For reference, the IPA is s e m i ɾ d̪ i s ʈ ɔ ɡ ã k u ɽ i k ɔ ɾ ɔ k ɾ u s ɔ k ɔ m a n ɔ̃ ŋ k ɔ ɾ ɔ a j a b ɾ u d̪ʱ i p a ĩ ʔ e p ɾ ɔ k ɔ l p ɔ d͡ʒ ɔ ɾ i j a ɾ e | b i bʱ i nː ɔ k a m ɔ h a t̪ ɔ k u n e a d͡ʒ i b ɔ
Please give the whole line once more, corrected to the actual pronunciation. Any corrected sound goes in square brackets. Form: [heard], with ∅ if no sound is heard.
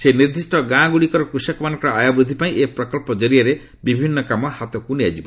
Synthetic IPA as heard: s e [n] i ɾ d̪ i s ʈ ɔ ɡ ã [ɡ] u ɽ i k ɔ ɾ ɔ k ɾ u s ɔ k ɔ m a n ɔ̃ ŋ k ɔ ɾ ɔ a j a b ɾ u d̪ʱ i p a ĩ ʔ e p ɾ ɔ k ɔ l p ɔ d͡ʒ ɔ ɾ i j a ɾ e | b i bʱ i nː ɔ k a m ɔ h a t̪ ɔ k u n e a d͡ʒ i b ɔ